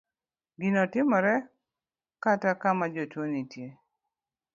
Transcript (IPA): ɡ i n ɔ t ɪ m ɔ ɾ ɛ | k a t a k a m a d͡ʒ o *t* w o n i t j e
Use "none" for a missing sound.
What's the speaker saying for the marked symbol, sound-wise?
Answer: t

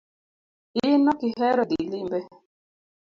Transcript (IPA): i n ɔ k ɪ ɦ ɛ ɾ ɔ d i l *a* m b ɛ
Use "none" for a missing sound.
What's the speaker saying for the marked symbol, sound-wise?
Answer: i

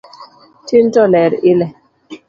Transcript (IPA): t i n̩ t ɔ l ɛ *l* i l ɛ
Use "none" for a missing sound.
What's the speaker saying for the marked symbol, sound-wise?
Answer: ɾ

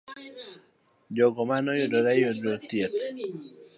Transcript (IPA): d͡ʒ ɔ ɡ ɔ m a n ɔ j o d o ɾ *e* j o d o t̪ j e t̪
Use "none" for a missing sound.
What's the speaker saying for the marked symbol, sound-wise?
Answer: a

